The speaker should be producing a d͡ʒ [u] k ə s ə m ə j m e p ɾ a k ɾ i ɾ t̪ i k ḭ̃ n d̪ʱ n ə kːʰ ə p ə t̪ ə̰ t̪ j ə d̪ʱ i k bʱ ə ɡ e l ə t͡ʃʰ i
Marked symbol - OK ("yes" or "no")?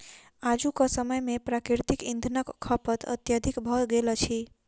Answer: yes